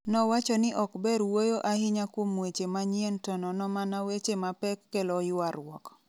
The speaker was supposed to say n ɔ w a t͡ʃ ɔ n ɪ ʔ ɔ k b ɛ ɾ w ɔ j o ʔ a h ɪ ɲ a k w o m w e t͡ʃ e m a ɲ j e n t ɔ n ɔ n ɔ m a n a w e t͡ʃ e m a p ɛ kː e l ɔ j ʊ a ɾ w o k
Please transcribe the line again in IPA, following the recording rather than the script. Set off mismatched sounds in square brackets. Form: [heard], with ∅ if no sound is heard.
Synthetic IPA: n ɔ w a t͡ʃ ɔ n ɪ ʔ ɔ k b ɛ ɾ w [o] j o ʔ a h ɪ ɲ a k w o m w e t͡ʃ e m a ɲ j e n t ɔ n ɔ n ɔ m a n a w e t͡ʃ e m a p ɛ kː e l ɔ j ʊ a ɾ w [ɔ] k